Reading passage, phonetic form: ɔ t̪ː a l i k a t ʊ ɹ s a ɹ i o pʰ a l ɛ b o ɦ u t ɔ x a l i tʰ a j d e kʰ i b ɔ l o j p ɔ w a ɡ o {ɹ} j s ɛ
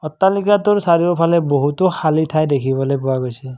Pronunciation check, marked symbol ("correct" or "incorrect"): incorrect